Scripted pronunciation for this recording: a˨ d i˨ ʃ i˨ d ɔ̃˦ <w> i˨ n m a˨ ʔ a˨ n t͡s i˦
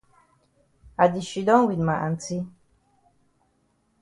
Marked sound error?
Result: no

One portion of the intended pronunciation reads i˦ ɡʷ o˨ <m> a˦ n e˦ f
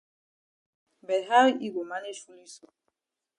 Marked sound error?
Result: no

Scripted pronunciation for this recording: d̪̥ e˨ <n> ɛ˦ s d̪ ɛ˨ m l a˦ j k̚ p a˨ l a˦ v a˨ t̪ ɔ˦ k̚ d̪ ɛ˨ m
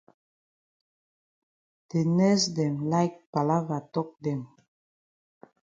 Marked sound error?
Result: no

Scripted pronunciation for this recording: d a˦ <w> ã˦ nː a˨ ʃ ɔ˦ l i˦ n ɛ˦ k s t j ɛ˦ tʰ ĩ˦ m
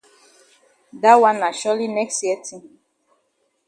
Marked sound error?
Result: no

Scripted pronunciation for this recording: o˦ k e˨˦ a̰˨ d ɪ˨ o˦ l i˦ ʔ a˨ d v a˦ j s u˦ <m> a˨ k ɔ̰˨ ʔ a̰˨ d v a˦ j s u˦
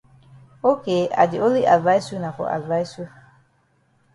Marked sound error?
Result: yes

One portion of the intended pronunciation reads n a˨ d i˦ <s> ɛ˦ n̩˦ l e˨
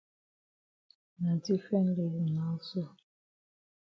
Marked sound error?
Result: yes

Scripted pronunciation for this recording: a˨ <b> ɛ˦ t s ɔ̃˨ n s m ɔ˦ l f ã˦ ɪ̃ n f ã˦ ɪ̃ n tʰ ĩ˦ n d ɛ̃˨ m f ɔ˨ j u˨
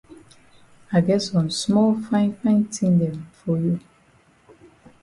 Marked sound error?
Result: yes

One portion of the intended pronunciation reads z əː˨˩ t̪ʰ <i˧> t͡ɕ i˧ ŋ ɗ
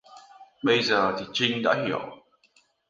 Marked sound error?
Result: yes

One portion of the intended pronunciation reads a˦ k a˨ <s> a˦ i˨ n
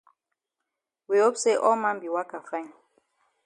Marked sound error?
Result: yes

